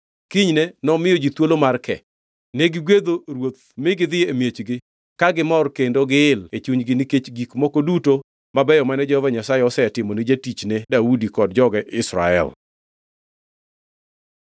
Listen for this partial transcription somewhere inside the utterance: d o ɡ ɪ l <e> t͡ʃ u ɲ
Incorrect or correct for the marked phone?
correct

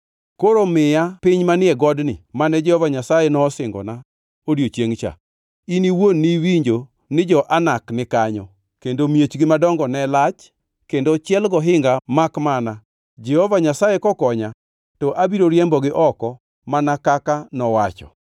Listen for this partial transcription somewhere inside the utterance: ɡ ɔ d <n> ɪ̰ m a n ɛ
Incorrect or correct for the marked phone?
correct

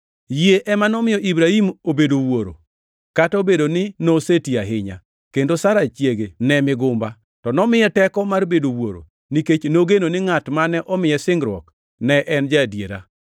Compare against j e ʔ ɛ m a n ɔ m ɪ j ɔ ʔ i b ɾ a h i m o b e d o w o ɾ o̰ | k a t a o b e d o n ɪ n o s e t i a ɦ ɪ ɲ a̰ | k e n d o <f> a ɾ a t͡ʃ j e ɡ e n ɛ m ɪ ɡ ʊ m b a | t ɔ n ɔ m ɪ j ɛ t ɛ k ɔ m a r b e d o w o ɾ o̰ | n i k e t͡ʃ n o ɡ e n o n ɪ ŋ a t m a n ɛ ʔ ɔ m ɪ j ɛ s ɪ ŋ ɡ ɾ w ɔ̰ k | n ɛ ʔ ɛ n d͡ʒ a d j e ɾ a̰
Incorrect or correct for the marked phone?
incorrect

